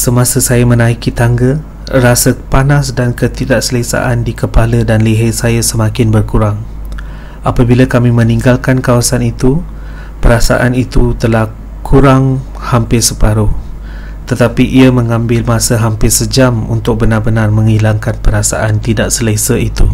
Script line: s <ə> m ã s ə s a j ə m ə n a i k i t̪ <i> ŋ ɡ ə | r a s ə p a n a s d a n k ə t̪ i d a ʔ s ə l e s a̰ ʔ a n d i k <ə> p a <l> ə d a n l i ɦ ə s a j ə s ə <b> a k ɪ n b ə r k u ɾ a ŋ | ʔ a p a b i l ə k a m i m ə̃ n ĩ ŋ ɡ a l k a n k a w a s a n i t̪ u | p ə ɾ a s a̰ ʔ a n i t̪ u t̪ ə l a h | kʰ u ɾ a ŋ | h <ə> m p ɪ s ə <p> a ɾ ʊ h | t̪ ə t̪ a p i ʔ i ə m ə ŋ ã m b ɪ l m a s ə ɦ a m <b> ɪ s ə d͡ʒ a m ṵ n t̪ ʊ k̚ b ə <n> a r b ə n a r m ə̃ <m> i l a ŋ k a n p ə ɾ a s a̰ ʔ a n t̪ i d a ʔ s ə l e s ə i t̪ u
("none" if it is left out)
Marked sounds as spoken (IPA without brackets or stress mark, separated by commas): ə, a, ə, l, m, a, p, p, n, ŋ